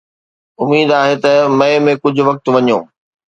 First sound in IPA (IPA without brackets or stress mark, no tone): ʊ